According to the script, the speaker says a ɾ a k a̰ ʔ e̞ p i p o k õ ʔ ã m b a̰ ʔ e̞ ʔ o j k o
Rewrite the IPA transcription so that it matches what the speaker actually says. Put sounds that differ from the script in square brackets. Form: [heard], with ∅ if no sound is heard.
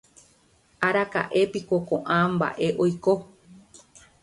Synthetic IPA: a ɾ a k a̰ ʔ e̞ p i [k] o k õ ʔ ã m b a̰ ʔ e̞ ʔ o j k o